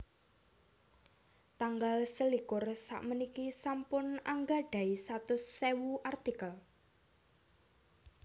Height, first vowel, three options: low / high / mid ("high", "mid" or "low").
low